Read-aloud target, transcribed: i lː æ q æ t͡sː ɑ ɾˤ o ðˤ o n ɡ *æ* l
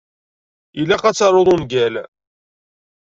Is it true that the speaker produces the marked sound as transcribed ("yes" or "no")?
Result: yes